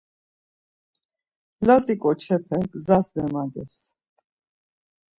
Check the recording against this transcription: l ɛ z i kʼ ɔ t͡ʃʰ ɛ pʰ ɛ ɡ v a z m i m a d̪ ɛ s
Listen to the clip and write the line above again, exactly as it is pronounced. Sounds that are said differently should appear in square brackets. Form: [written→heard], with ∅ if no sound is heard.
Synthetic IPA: l [ɛ→a] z i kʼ ɔ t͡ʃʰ ɛ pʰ ɛ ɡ [v→z] a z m [i→ɛ] m a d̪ ɛ s